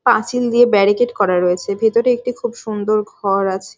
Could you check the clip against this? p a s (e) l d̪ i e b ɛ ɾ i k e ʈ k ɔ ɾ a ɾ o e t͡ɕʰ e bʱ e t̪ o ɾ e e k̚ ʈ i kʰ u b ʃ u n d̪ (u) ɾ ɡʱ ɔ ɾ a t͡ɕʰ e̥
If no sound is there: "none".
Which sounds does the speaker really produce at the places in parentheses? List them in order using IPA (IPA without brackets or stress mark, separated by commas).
i, o